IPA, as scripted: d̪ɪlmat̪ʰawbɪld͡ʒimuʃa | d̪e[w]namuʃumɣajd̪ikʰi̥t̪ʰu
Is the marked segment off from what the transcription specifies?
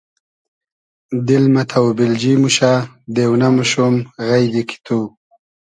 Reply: no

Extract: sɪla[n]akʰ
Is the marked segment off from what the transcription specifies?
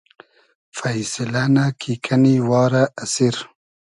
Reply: no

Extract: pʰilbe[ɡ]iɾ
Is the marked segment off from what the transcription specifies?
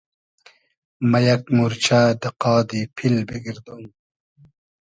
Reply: no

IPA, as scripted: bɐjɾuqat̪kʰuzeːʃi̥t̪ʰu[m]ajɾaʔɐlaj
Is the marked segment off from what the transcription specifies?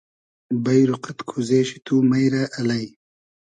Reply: no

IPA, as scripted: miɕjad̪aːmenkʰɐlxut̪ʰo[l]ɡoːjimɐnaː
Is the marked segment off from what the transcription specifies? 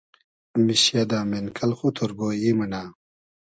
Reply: yes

